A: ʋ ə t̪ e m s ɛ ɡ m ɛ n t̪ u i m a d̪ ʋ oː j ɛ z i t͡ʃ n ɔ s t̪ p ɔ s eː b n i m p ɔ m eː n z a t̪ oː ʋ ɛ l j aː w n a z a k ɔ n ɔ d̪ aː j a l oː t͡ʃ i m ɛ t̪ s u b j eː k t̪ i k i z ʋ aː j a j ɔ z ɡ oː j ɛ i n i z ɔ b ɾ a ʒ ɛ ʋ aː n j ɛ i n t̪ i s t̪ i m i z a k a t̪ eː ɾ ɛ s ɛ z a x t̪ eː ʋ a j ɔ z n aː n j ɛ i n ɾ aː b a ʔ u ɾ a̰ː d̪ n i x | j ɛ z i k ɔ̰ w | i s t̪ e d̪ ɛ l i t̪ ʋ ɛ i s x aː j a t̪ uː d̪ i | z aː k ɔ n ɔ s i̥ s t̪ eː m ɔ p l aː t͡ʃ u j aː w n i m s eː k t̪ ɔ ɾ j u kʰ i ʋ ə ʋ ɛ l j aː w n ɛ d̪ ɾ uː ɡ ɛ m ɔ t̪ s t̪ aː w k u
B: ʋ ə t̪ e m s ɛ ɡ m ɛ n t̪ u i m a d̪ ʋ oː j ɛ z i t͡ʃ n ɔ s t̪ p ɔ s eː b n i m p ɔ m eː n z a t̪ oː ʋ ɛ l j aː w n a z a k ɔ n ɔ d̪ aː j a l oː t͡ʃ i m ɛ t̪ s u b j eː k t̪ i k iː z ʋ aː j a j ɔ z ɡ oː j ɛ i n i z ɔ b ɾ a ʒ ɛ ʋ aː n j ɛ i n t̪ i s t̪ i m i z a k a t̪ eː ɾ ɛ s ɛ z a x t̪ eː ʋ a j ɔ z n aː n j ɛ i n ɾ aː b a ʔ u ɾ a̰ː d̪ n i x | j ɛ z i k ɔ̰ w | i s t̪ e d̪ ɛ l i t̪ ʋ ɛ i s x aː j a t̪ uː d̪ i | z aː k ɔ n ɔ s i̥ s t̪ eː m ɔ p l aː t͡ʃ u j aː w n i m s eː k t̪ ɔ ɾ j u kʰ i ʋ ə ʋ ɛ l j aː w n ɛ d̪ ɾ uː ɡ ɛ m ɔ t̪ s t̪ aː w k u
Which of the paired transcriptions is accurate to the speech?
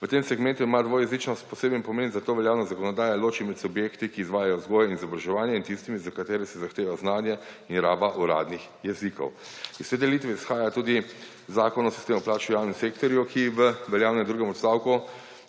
B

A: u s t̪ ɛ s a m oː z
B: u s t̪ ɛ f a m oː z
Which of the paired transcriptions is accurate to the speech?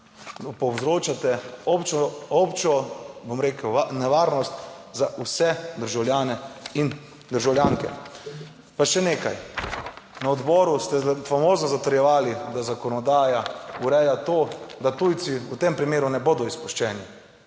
B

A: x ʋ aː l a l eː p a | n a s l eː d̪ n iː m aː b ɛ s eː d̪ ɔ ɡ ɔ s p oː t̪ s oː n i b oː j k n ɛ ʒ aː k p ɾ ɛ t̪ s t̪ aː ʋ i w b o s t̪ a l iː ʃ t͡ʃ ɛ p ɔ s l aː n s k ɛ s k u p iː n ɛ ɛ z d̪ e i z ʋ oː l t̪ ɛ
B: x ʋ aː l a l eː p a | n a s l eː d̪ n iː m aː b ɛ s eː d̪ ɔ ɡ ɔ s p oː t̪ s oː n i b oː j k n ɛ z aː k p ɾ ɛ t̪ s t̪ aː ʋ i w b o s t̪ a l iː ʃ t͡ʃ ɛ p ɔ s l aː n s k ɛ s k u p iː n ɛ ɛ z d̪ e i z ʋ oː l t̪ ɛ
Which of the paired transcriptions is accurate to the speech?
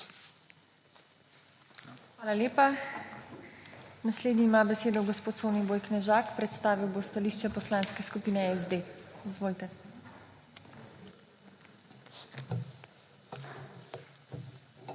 A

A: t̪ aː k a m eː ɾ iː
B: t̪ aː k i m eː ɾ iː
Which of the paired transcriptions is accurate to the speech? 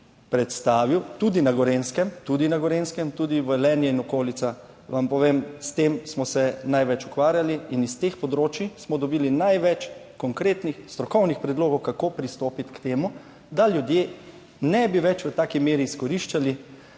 B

